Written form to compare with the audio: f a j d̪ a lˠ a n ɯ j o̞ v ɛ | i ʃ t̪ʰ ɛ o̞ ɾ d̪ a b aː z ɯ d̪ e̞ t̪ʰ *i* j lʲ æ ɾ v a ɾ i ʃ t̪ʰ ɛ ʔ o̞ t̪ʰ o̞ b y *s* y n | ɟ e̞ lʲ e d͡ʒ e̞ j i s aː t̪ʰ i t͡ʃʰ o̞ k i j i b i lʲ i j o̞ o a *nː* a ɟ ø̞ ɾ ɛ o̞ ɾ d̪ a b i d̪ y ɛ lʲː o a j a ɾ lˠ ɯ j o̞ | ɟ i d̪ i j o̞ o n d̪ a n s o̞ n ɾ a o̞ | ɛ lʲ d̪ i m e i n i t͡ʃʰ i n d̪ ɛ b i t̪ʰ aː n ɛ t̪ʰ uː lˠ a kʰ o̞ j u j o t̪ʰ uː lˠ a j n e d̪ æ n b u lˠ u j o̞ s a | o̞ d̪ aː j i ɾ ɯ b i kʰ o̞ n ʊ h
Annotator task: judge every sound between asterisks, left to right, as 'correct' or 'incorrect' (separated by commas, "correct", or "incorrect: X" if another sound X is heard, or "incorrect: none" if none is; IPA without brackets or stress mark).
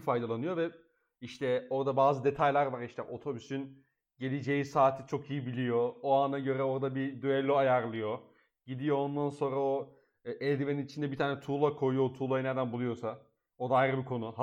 incorrect: a, correct, incorrect: n